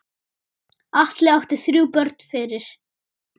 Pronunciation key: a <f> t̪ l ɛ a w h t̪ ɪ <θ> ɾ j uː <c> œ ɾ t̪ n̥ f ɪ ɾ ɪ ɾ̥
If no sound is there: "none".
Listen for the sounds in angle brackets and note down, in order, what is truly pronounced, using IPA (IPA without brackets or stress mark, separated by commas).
h, θ, p